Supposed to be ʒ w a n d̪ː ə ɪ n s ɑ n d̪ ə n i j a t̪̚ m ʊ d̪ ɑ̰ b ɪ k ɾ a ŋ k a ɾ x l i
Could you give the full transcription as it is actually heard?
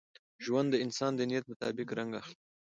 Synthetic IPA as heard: ʒ w a n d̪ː ə ɪ n s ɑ n d̪ ə n i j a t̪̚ m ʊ t̪ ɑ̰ b ɪ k ɾ a ŋ ɡ a x l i